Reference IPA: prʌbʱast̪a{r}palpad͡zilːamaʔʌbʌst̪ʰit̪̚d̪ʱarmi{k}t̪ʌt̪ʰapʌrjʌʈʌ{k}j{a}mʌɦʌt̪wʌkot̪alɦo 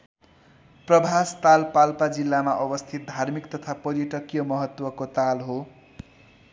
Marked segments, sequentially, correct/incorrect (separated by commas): incorrect, correct, correct, incorrect